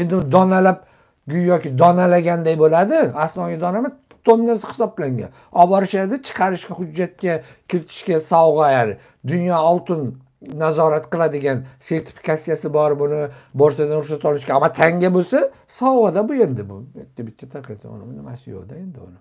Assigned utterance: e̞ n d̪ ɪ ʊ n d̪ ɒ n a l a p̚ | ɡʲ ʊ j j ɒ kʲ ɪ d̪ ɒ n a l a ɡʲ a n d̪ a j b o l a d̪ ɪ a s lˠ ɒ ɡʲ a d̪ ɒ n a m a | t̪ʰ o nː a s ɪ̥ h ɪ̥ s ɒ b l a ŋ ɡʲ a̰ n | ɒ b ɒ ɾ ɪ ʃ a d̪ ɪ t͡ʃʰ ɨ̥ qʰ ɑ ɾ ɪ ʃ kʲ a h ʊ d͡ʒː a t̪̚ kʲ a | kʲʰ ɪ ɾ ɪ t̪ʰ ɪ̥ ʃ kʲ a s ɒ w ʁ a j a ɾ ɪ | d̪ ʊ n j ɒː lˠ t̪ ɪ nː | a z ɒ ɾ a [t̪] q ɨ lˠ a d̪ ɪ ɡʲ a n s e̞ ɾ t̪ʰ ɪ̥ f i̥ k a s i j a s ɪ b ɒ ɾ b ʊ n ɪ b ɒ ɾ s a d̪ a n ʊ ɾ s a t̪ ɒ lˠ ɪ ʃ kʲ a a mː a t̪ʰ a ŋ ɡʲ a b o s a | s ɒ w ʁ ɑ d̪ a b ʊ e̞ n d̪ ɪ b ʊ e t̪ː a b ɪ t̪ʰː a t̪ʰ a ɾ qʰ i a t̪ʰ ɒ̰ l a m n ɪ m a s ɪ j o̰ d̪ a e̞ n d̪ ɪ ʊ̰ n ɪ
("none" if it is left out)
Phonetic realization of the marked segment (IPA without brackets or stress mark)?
t̪